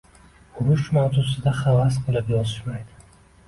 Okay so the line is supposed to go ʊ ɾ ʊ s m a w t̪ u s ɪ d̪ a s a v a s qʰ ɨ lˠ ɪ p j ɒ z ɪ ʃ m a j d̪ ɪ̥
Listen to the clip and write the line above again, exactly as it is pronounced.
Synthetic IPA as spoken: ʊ ɾ ʊ ʃ m a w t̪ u s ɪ d̪ a χ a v a s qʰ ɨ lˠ ɪ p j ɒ z ɪ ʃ m a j d̪ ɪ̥